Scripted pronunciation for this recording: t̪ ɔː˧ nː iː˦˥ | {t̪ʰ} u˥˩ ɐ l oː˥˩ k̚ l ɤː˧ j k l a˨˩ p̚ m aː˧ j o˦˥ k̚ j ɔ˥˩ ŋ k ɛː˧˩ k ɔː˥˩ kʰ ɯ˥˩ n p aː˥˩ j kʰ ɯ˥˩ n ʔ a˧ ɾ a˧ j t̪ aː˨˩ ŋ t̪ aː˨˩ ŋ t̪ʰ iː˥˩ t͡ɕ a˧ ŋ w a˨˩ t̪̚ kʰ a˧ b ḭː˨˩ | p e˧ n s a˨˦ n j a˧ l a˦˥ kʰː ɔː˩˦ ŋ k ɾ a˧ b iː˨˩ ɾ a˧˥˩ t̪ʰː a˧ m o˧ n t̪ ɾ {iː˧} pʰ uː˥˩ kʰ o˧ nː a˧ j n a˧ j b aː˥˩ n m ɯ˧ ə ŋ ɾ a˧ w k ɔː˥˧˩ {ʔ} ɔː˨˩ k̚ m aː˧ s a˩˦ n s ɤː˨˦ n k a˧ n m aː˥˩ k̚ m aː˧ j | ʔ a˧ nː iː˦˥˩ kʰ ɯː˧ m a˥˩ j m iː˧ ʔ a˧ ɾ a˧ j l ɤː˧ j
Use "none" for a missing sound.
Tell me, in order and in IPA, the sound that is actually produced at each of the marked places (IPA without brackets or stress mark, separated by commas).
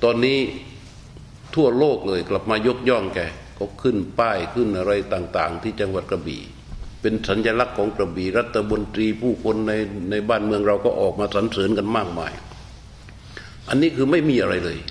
t̪ʰ, iː˧, ʔ